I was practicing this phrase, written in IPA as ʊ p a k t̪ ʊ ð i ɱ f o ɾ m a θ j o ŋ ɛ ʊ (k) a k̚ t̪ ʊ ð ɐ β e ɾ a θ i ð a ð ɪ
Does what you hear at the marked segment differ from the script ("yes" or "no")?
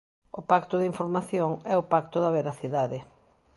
yes